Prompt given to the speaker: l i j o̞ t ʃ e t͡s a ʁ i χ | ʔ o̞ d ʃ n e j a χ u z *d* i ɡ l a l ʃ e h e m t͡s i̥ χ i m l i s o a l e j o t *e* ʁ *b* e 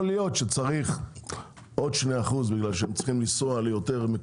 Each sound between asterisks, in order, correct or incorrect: incorrect: b, correct, incorrect: m

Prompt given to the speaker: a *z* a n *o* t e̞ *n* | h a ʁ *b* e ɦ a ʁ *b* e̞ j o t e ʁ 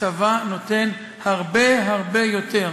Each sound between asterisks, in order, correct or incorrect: incorrect: v, correct, correct, correct, correct

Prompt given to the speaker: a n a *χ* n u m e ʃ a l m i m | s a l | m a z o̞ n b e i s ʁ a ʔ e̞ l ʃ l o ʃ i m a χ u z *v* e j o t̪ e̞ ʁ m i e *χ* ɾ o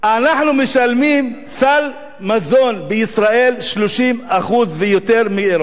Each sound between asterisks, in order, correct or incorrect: incorrect: ħ, correct, incorrect: none

